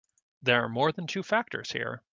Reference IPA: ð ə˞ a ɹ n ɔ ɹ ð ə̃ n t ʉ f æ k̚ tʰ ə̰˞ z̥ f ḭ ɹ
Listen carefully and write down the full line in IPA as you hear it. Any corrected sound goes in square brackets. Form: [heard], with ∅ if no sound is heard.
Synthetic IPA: ð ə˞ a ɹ [m] ɔ ɹ ð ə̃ n [tʰ] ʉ f æ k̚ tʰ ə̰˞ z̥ [h] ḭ ɹ